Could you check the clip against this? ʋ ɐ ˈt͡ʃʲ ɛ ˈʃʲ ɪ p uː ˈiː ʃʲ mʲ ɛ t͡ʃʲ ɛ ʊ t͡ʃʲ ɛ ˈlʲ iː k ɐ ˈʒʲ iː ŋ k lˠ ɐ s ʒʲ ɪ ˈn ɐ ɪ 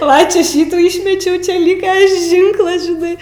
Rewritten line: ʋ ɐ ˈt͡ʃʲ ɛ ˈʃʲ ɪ t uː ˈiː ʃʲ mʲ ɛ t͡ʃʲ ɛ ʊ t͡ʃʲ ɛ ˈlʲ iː k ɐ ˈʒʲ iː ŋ k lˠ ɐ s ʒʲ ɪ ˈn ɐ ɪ